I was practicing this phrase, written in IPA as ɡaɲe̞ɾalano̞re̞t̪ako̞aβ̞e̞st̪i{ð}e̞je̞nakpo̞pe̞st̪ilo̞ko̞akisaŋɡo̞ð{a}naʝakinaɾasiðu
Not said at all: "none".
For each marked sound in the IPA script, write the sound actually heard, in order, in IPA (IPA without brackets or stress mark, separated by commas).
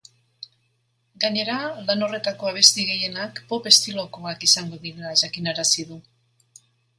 ɣ, i